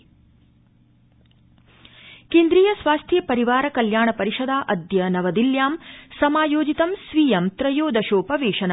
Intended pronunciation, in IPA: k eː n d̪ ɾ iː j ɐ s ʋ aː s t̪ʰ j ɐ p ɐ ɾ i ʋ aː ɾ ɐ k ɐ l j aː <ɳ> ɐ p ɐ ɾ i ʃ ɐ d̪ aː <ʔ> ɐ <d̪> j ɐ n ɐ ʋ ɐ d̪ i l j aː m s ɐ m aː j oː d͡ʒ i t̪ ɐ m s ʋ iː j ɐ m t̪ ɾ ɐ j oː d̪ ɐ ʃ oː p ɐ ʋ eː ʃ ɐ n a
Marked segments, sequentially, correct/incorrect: correct, correct, correct

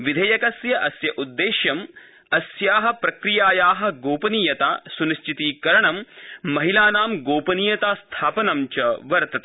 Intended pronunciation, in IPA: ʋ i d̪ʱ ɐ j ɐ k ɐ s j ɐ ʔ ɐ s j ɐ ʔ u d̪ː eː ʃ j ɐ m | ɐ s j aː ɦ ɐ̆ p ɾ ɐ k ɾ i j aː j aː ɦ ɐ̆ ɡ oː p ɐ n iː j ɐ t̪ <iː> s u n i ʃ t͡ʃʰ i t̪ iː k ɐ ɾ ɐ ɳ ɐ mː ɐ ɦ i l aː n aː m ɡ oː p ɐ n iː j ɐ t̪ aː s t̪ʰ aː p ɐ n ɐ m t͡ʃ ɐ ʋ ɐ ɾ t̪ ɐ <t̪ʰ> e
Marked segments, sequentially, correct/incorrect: incorrect: aː, incorrect: t̪

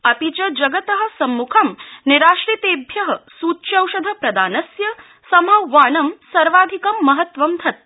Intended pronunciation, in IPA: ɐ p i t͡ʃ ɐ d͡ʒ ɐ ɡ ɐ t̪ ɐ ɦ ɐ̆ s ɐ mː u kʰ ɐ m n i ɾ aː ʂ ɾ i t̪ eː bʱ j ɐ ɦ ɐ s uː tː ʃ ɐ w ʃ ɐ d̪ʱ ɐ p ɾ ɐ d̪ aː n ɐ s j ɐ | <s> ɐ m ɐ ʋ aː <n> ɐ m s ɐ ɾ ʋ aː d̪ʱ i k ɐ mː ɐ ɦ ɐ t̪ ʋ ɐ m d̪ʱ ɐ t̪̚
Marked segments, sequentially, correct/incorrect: correct, correct

